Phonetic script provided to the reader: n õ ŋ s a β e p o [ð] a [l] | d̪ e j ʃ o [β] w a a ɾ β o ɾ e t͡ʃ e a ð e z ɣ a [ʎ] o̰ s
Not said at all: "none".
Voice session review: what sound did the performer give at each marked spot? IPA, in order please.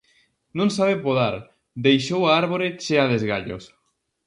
ð, ɾ, none, ʎ

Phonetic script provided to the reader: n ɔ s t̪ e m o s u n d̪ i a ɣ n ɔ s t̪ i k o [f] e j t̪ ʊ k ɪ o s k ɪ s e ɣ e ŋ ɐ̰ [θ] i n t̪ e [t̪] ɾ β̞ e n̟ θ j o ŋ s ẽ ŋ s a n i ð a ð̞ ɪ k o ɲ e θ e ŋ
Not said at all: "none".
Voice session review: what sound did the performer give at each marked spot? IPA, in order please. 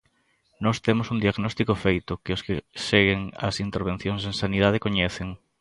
f, s, none

